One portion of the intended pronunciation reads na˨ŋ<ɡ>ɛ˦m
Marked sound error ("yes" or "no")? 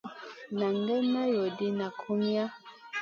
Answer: no